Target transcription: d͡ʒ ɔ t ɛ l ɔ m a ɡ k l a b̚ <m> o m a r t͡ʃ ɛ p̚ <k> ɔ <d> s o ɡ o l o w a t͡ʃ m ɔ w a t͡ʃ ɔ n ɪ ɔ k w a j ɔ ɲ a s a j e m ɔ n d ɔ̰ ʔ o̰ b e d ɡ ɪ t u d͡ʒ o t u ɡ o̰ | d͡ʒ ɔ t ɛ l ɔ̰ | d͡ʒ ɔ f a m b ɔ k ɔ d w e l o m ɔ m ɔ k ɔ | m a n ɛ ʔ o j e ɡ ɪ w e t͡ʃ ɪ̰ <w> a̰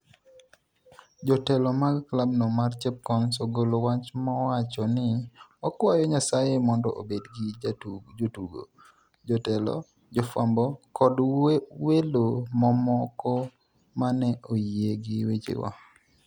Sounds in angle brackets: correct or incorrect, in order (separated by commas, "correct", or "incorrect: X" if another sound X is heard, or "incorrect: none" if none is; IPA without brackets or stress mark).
incorrect: n, correct, incorrect: n, correct